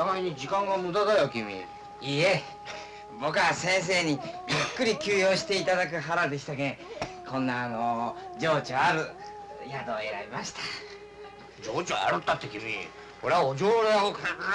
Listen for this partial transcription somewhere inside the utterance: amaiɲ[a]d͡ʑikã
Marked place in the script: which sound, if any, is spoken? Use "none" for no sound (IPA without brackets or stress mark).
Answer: i